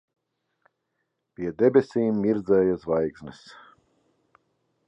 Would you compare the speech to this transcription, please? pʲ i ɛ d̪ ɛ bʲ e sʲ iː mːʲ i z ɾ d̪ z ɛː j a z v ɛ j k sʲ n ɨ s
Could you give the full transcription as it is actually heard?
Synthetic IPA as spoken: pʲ i ɛ d̪ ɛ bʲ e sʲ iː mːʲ i ɾ d̪ z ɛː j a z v a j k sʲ n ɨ s